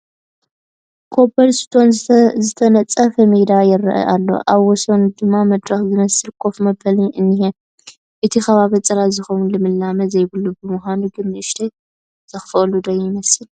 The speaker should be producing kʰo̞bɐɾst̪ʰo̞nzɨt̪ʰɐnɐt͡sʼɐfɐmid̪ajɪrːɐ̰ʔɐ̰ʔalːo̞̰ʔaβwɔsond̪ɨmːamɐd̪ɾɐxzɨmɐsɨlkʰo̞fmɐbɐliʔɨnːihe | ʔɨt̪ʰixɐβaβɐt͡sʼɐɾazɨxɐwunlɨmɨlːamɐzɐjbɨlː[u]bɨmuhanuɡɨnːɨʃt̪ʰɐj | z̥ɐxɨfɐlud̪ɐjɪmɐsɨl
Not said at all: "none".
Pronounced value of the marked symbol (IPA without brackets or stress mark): u